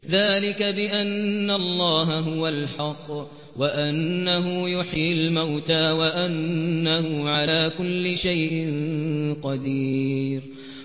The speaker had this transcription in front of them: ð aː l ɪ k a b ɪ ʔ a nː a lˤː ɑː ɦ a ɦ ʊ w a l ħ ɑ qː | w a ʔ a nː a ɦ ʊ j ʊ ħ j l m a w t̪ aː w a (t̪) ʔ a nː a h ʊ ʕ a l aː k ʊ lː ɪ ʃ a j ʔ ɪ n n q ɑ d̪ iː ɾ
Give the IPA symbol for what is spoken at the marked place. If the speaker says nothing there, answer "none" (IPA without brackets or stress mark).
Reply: none